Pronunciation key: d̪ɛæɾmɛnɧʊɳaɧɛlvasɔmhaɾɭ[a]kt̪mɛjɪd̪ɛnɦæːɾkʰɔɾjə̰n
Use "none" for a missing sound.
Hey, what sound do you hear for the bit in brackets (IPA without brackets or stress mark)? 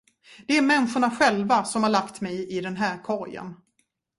a